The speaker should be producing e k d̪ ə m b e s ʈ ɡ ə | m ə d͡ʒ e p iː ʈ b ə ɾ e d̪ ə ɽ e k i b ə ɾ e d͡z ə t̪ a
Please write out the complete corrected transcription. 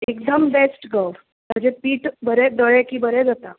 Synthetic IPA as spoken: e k d̪ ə m b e s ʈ ɡ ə | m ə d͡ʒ e p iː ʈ b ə ɾ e d̪ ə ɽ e k i b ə ɾ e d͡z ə t̪ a